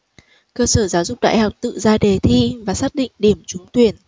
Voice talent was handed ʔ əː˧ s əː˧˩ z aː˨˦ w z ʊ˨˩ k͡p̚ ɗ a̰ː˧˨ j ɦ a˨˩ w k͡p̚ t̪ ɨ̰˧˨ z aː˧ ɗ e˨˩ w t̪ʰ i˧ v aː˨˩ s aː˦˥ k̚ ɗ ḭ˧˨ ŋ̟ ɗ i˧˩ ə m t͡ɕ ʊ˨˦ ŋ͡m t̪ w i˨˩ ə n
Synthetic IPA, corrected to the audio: k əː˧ s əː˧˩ z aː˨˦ w z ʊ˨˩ k͡p̚ ɗ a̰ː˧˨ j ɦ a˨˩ w k͡p̚ t̪ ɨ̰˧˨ z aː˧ ɗ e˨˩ t̪ʰ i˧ v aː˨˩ s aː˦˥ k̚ ɗ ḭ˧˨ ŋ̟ ɗ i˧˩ ə m t͡ɕ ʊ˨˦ ŋ͡m t̪ w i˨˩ ə n